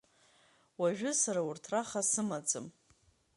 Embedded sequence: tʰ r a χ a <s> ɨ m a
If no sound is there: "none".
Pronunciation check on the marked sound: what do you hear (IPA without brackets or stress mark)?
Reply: s